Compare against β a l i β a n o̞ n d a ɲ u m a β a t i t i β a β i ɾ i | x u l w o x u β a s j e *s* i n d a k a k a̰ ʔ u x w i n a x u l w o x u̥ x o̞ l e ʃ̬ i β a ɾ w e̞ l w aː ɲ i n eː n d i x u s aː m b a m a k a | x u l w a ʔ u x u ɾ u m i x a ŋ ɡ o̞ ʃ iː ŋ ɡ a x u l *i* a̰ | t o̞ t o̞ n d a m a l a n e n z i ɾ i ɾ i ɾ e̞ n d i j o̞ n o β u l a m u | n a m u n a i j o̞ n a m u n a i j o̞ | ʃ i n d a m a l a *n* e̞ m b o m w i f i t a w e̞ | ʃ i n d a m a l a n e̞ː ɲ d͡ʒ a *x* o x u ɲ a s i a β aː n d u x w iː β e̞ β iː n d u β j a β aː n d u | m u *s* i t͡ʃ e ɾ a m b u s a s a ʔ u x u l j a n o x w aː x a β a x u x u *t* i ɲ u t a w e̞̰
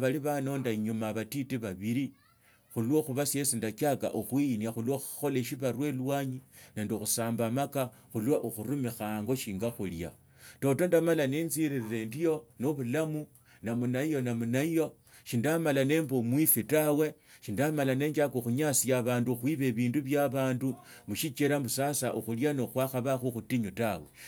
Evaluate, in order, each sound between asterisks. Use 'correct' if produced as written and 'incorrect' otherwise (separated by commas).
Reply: correct, incorrect, correct, incorrect, incorrect, correct